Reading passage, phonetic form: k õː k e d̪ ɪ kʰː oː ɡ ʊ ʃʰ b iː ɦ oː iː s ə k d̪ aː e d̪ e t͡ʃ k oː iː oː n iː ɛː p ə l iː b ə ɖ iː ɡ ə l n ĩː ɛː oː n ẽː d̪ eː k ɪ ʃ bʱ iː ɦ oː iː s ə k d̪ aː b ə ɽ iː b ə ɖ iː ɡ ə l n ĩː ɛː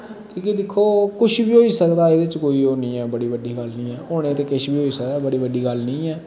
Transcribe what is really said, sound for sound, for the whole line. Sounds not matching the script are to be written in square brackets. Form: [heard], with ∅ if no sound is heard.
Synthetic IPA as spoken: k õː k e d̪ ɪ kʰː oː [k] ʊ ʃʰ b iː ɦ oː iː s ə k d̪ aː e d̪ e t͡ʃ k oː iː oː n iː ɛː [b] ə [ɽ] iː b ə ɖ iː ɡ ə l n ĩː ɛː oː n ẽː [t̪] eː k ɪ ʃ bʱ iː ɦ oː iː s ə k d̪ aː b ə ɽ iː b ə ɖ iː ɡ ə l n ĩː ɛː